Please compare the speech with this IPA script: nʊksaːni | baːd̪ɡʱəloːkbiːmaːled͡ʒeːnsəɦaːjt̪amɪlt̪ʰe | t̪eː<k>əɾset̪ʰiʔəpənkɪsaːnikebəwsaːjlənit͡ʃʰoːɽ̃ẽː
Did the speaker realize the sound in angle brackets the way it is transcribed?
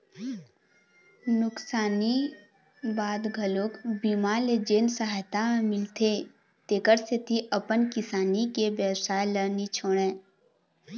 yes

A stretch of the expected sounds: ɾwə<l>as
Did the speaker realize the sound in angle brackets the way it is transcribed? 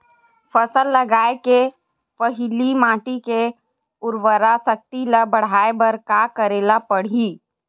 no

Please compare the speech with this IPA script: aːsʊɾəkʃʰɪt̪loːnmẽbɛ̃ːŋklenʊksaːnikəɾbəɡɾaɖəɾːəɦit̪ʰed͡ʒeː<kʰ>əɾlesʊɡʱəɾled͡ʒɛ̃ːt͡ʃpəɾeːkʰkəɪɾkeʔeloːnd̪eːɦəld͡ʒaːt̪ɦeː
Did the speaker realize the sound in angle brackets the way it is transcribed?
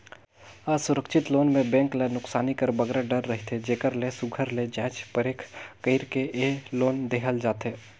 no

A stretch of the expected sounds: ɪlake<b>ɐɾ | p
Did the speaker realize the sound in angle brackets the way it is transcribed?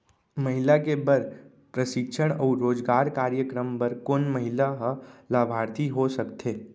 yes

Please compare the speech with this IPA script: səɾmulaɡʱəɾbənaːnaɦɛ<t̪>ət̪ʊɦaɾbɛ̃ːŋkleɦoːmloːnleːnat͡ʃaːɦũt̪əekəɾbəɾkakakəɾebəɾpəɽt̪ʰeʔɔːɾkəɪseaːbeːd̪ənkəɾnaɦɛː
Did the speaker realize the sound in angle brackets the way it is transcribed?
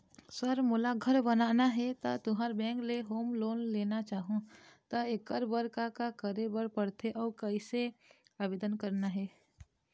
yes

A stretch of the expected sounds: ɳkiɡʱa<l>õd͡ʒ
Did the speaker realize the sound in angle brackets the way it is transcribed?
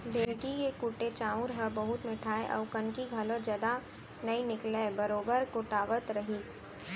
yes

